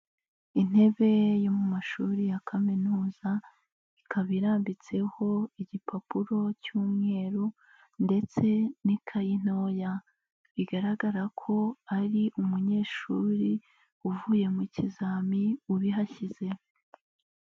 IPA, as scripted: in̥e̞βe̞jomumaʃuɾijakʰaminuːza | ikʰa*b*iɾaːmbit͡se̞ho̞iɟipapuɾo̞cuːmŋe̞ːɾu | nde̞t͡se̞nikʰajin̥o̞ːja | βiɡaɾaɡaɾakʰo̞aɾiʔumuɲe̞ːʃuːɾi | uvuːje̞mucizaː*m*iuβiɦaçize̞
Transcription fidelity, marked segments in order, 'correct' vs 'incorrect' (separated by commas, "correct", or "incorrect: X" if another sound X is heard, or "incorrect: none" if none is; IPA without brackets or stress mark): incorrect: β, correct